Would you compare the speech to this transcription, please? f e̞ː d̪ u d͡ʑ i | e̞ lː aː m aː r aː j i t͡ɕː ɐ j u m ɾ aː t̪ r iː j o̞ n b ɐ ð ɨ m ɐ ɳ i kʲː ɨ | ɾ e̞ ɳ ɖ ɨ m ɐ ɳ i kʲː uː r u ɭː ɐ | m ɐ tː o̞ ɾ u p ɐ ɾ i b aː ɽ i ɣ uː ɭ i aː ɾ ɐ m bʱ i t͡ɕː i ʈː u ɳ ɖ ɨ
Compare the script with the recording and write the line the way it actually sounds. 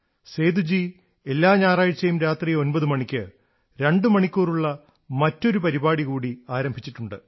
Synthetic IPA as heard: s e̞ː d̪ u d͡ʑ i | e̞ lː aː ɲ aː r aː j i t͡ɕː ɐ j u m ɾ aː t̪ r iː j o̞ n b ɐ ð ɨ m ɐ ɳ i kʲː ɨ | ɾ e̞ ɳ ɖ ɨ m ɐ ɳ i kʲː uː r u ɭː ɐ | m ɐ tː o̞ ɾ u p ɐ ɾ i b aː ɽ i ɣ uː ɽ i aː ɾ ɐ m bʱ i t͡ɕː i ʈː u ɳ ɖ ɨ